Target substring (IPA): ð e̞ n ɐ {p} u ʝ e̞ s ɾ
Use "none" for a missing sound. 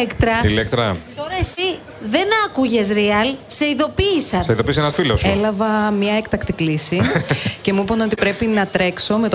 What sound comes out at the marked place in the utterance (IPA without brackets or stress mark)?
k